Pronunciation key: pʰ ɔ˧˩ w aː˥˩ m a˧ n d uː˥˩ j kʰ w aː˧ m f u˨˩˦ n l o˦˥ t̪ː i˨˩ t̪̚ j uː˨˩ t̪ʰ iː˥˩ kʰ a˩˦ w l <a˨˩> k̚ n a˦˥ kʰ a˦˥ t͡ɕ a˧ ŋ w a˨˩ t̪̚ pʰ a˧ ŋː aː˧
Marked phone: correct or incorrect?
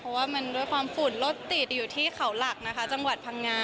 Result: correct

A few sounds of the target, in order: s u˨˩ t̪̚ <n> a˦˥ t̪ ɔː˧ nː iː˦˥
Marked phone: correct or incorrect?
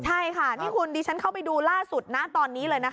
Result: correct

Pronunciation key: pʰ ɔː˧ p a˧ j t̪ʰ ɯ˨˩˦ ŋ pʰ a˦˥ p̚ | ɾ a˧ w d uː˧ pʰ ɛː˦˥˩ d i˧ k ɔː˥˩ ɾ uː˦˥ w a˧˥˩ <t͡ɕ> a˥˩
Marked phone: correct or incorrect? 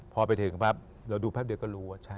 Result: incorrect: t͡ɕʰ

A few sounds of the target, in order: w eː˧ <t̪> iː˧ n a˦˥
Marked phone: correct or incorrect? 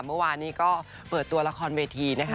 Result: incorrect: t̪ʰ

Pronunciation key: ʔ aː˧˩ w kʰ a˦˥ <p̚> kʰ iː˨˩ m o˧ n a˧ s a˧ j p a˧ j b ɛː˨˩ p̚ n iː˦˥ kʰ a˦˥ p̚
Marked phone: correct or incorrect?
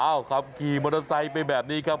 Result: correct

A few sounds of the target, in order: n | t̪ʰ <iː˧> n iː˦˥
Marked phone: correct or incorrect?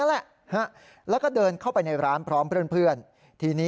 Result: correct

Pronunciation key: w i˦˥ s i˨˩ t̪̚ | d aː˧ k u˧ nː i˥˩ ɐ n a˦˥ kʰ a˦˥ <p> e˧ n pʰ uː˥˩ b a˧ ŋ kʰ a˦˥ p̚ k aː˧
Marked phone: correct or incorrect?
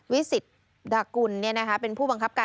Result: correct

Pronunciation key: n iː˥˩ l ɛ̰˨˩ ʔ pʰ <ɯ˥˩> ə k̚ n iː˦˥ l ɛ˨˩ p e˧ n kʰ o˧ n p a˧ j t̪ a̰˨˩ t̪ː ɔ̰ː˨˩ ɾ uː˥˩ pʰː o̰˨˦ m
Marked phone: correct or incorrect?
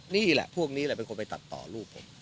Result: incorrect: u˥˩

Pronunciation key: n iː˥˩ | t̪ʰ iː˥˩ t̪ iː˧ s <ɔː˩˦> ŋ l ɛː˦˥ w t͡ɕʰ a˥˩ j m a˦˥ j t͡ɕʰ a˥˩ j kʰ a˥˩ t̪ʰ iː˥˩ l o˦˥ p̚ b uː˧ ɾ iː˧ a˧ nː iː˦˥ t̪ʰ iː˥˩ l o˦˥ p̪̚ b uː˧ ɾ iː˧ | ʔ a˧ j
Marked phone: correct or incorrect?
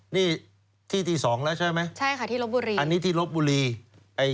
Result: correct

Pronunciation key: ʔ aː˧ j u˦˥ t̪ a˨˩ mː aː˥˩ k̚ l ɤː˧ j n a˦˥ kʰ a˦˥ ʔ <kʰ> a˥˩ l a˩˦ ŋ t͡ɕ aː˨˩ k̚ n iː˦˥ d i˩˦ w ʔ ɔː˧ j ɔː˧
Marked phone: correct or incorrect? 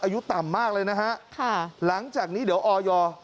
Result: correct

